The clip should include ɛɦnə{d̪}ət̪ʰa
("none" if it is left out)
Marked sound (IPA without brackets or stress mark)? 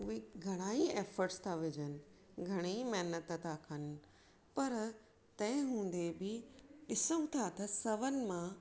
t̪